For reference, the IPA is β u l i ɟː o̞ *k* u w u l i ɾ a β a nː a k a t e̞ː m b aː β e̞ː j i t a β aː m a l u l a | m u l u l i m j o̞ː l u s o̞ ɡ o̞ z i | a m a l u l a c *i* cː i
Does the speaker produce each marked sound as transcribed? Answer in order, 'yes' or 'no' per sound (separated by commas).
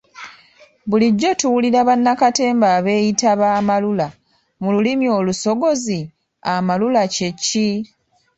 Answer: no, no